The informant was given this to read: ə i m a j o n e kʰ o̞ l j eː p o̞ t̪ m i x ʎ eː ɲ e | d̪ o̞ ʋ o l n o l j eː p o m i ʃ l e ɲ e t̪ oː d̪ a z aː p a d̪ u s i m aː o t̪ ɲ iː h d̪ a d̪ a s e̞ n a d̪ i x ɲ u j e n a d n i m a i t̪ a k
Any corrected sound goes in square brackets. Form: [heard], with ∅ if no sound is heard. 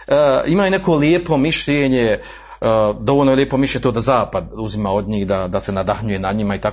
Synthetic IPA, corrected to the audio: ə i m a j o n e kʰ o̞ l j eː p o̞ [∅] m i [ʃ] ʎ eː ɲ e | d̪ o̞ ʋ o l n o l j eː p o m i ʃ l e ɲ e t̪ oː d̪ a z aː p a d̪ u [z] i m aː o [d̪] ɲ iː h d̪ a d̪ a s e̞ n a d̪ [a] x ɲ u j e n a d [ɲ] i m a i t̪ a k